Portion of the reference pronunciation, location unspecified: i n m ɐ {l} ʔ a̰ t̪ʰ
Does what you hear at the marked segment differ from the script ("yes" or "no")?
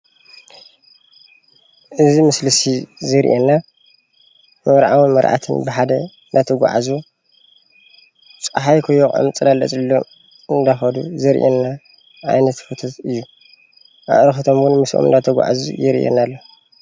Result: yes